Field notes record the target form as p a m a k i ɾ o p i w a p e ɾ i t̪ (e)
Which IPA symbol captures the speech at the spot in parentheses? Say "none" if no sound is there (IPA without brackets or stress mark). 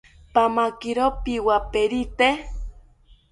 e